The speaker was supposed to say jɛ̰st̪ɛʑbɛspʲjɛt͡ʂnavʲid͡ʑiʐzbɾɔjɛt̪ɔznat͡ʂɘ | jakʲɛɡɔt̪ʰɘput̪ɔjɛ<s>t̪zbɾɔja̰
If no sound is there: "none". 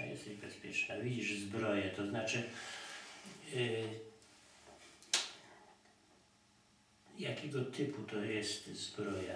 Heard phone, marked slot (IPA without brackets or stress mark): s